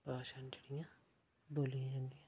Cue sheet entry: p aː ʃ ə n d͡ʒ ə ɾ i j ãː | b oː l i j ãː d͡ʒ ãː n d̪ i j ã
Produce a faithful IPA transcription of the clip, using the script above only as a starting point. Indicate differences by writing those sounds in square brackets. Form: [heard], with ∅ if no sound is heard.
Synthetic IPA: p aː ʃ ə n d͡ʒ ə [ɽ] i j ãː | b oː l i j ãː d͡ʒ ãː n d̪ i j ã